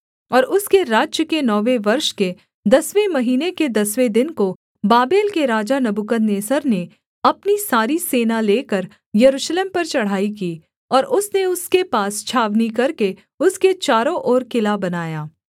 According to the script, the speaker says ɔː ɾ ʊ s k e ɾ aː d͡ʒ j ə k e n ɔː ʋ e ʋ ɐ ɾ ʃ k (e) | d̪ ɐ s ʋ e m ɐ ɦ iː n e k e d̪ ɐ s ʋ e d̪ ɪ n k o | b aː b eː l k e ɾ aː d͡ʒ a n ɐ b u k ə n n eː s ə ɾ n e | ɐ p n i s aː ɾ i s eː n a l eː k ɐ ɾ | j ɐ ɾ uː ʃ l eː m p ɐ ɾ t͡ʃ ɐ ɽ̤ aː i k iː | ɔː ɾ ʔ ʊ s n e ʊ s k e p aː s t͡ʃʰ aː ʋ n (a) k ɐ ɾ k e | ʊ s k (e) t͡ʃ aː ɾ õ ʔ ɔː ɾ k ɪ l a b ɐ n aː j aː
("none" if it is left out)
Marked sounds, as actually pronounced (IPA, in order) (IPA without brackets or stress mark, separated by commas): e, i, e